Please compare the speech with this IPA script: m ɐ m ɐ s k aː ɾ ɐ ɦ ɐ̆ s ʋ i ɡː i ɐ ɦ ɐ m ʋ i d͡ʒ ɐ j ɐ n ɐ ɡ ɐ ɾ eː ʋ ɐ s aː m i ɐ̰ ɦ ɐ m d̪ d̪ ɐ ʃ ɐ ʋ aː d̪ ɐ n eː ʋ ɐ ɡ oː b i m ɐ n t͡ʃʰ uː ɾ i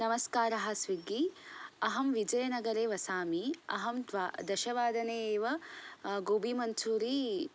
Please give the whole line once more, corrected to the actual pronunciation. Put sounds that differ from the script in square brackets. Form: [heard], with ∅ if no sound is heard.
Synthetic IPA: [n] ɐ m ɐ s k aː ɾ ɐ ɦ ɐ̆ s ʋ i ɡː i ɐ ɦ ɐ m ʋ i d͡ʒ ɐ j ɐ n ɐ ɡ ɐ ɾ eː ʋ ɐ s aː m i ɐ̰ ɦ ɐ m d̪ d̪ ɐ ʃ ɐ ʋ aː d̪ ɐ n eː ʋ ɐ ɡ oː b i m ɐ n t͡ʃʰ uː ɾ i

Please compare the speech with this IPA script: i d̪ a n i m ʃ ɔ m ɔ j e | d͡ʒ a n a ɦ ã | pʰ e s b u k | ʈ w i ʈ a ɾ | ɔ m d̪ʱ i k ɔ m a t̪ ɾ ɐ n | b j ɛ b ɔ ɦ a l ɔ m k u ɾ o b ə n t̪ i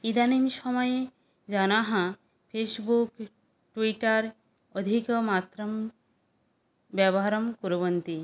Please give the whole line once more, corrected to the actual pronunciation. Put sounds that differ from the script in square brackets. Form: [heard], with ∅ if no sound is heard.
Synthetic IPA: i d̪ a n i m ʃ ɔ m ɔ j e | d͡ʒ a n a ɦ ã | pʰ e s b u k | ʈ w i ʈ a ɾ | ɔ [∅] d̪ʱ i k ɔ m a t̪ ɾ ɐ [m] | b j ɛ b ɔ ɦ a [ɾ] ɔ m k u ɾ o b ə n t̪ i

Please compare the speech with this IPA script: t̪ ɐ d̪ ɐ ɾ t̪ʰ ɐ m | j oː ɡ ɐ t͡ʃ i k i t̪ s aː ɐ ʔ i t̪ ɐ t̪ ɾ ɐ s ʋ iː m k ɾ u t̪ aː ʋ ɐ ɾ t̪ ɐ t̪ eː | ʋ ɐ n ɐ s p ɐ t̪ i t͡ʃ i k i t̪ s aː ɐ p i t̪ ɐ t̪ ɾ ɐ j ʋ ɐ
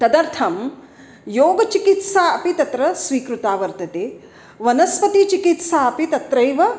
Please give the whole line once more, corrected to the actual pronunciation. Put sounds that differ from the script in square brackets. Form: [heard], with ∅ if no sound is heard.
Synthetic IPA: t̪ ɐ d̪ ɐ ɾ t̪ʰ ɐ m | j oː ɡ ɐ t͡ʃ i k i t̪ s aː ɐ [p] i t̪ ɐ t̪ ɾ ɐ s ʋ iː [∅] k ɾ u t̪ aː ʋ ɐ ɾ t̪ ɐ t̪ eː | ʋ ɐ n ɐ s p ɐ t̪ i t͡ʃ i k i t̪ s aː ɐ p i t̪ ɐ t̪ ɾ ɐ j ʋ ɐ

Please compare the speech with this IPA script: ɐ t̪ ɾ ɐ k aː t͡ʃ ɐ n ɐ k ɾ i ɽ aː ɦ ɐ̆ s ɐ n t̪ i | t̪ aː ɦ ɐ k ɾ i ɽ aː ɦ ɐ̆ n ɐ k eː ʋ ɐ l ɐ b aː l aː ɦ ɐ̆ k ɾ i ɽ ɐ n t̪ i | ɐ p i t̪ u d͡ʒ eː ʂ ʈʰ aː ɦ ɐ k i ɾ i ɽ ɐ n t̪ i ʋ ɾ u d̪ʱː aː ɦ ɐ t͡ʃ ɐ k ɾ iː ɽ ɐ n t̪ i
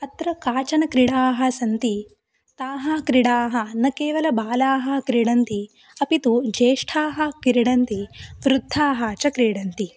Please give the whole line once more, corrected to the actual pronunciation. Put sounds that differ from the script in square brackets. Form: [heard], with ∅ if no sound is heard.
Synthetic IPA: ɐ t̪ ɾ ɐ k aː t͡ʃ ɐ n ɐ k ɾ i ɽ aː ɦ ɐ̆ s ɐ n t̪ i | t̪ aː ɦ ɐ k ɾ i ɽ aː ɦ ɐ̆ n ɐ k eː ʋ ɐ l ɐ b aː l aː ɦ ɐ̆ k ɾ i ɽ ɐ n t̪ i | ɐ p i t̪ u d͡ʒ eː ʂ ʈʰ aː ɦ ɐ k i ɾ i ɽ ɐ n t̪ i ʋ ɾ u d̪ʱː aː ɦ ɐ t͡ʃ ɐ k ɾ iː ɽ ɐ n t̪ i

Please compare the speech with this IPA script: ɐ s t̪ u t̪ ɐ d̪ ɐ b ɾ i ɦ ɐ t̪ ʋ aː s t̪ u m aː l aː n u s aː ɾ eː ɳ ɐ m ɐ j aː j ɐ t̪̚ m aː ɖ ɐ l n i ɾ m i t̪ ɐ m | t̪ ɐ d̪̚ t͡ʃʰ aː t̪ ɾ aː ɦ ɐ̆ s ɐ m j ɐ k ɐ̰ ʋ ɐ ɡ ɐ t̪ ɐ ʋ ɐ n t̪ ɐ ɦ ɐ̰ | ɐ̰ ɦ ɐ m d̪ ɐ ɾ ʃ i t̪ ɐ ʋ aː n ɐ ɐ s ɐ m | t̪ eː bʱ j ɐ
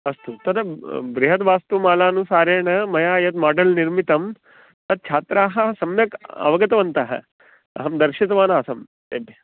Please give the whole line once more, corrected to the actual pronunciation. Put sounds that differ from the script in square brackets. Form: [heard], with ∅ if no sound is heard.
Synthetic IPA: ɐ s t̪ u t̪ ɐ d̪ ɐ b ɾ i ɦ ɐ t̪ ʋ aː s t̪ u m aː l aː n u s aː ɾ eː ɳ ɐ m ɐ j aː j ɐ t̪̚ m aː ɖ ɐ l n i ɾ m i t̪ ɐ m | t̪ ɐ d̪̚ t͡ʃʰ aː t̪ ɾ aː ɦ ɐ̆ s ɐ m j ɐ k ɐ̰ ʋ ɐ ɡ ɐ t̪ ɐ ʋ ɐ n t̪ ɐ ɦ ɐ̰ | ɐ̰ ɦ ɐ m d̪ ɐ ɾ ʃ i t̪ ɐ ʋ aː n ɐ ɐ s ɐ m | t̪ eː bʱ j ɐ

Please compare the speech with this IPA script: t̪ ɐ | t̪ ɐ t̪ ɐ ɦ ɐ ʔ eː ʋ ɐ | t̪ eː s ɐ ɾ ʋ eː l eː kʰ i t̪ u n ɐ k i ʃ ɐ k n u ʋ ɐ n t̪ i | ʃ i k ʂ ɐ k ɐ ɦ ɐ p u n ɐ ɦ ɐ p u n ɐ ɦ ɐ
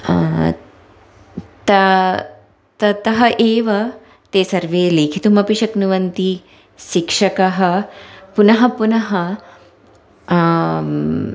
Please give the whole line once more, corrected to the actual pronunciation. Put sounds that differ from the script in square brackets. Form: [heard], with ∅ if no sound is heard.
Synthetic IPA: t̪ ɐ | t̪ ɐ t̪ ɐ ɦ ɐ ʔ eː ʋ ɐ | t̪ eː s ɐ ɾ ʋ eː l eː kʰ i t̪ u [m] ɐ [p] i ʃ ɐ k n u ʋ ɐ n t̪ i | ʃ i k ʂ ɐ k ɐ ɦ ɐ p u n ɐ ɦ ɐ p u n ɐ ɦ ɐ

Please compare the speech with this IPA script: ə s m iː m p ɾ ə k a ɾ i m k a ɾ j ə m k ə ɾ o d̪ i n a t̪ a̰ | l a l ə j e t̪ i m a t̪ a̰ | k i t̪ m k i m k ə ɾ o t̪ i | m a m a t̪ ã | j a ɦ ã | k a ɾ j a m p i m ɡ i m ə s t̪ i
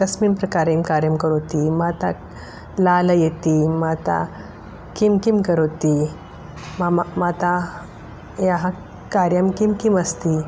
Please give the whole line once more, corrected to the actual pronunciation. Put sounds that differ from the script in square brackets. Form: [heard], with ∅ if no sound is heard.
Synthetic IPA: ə s m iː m p ɾ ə k a ɾ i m k a ɾ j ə m k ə ɾ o [t̪] i [m] a t̪ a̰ | l a l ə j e t̪ i m a t̪ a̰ | k i [∅] m k i m k ə ɾ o t̪ i | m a m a t̪ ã | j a ɦ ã | k a ɾ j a m [k] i m [k] i m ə s t̪ i

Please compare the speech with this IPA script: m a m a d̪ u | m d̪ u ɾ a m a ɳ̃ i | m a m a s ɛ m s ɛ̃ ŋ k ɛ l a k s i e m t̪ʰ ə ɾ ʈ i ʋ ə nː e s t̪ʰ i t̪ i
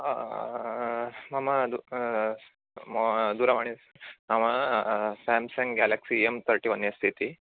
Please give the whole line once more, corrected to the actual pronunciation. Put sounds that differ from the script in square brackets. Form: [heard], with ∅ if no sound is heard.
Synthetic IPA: m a m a d̪ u | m d̪ u ɾ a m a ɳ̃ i | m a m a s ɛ m s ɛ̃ ŋ [ɡ] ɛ l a k s i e m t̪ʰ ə ɾ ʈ i ʋ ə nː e s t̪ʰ i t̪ i

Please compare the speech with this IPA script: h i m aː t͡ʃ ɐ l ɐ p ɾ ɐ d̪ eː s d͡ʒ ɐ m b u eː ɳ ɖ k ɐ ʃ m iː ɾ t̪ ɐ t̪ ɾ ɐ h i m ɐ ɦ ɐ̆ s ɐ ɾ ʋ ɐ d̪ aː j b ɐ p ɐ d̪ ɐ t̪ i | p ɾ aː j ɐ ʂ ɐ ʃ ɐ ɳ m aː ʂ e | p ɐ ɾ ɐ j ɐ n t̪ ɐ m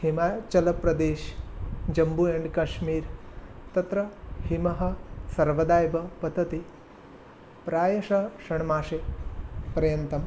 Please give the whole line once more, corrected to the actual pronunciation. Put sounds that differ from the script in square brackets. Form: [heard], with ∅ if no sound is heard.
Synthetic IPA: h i m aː t͡ʃ ɐ l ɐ p ɾ ɐ d̪ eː [ʃ] d͡ʒ ɐ m b u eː ɳ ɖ k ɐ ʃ m iː ɾ t̪ ɐ t̪ ɾ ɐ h i m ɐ ɦ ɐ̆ s ɐ ɾ ʋ ɐ d̪ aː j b ɐ p ɐ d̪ ɐ t̪ i | p ɾ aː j ɐ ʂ ɐ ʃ ɐ ɳ m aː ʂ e | p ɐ ɾ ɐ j ɐ n t̪ ɐ m

